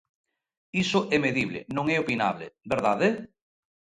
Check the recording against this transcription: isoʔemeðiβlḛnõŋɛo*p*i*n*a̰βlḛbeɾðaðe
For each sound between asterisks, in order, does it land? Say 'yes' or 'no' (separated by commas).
yes, yes